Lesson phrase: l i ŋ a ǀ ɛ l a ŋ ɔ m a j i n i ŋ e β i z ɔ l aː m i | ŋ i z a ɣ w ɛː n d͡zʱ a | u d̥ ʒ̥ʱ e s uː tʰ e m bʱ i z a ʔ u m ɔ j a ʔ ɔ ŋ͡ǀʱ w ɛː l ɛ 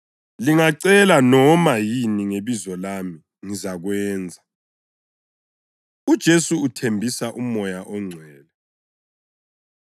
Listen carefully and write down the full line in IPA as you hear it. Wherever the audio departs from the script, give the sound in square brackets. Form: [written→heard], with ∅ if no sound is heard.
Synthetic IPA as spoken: l i ŋ a ǀ ɛ l a [ŋ→n] ɔ m a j i n i ŋ e β i z ɔ l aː m i | ŋ i z a ɣ w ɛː n d͡zʱ a | u d̥ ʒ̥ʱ e s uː tʰ e m bʱ i [z→s] a ʔ u m ɔ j a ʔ ɔ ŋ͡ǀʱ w ɛː l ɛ